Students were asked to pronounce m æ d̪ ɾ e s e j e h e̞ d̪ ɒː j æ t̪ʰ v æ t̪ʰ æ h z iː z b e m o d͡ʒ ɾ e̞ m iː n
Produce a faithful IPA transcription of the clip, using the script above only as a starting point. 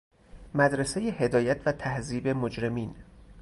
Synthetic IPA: m æ d̪ ɾ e s e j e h e̞ d̪ ɒː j æ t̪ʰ v æ t̪ʰ æ h z iː b e m o d͡ʒ ɾ e̞ m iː n